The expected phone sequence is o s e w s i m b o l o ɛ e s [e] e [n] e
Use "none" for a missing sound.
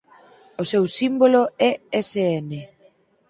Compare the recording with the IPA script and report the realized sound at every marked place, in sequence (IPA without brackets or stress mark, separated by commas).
e, n